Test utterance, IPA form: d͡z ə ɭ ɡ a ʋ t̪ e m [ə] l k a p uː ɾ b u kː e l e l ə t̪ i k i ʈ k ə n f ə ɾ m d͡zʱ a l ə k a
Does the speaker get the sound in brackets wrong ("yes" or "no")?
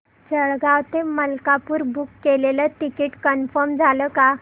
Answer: no